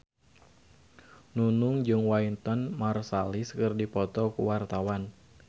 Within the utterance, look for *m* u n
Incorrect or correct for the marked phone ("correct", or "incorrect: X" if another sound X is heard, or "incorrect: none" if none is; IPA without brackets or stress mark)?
incorrect: n